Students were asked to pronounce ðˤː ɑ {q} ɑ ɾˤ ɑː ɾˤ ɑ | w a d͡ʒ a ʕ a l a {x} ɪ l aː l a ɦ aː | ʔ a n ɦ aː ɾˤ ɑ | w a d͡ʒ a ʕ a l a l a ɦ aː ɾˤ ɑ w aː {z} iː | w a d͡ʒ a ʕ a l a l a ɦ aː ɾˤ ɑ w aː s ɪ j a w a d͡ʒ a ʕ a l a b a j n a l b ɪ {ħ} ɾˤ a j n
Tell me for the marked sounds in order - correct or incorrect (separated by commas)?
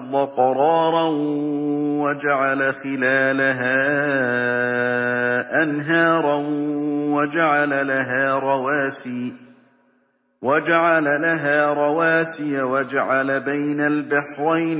correct, correct, incorrect, correct